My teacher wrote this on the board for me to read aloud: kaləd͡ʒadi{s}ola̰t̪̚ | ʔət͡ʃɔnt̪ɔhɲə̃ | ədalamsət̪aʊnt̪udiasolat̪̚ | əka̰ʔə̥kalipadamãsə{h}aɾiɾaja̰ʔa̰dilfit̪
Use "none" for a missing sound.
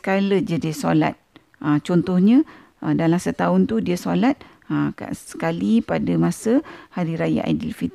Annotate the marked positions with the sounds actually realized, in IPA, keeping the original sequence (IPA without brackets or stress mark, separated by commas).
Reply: s, h